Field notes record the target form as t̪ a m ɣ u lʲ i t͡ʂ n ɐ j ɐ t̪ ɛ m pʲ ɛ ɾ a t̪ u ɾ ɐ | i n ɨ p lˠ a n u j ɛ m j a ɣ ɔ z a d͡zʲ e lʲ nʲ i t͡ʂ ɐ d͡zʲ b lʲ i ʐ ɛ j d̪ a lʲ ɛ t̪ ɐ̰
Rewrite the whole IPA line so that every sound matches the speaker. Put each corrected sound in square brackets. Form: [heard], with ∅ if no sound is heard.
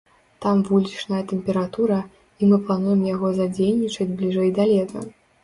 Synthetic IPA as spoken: t̪ a m [v] u lʲ i t͡ʂ n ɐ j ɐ t̪ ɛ m pʲ ɛ ɾ a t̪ u ɾ ɐ | i [m] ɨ p lˠ a n u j ɛ m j a ɣ ɔ z a d͡zʲ e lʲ nʲ i t͡ʂ ɐ d͡zʲ b lʲ i ʐ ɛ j d̪ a lʲ ɛ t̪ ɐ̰